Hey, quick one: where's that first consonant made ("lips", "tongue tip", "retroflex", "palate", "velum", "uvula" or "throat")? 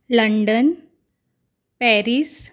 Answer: tongue tip